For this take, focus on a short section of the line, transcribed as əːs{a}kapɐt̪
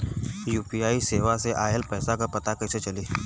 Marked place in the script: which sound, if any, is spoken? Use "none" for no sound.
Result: a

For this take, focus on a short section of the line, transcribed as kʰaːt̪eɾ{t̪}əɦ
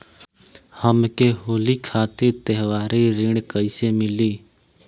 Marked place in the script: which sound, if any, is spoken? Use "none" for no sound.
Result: t̪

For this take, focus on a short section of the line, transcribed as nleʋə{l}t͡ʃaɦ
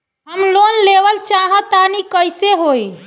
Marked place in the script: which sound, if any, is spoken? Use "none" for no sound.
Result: l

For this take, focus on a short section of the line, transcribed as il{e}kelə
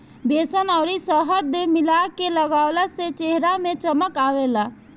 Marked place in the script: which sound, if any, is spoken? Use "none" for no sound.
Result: a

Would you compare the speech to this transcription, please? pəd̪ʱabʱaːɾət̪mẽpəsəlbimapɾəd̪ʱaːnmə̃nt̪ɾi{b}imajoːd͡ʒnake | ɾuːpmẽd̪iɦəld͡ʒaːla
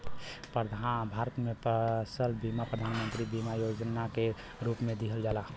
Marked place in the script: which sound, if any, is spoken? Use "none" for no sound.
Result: b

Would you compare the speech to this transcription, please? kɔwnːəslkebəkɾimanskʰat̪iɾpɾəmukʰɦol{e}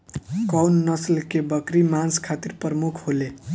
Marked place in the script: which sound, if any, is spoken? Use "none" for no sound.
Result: e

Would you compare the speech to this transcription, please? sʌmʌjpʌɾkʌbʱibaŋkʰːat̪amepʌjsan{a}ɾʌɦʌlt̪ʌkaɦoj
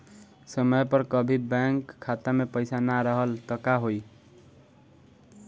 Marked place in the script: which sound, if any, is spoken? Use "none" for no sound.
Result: a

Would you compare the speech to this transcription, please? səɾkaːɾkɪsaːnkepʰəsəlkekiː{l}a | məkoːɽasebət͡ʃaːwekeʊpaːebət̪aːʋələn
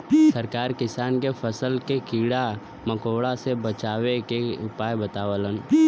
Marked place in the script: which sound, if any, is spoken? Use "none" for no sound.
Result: ɽ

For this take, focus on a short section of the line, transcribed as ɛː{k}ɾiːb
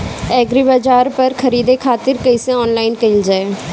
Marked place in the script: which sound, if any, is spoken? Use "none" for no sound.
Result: ɡ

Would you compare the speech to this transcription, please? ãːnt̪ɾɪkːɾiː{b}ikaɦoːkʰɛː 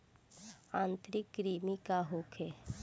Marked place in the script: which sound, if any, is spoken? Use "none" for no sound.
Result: m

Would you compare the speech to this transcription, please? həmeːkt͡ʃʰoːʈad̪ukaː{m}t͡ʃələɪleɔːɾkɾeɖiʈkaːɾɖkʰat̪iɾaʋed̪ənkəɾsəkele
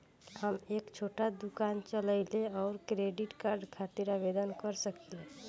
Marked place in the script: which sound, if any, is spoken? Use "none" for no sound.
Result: n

